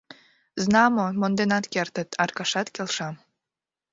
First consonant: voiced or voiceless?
voiced